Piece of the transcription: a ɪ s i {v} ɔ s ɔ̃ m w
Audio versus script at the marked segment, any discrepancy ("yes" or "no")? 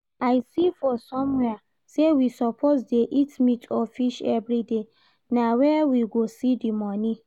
yes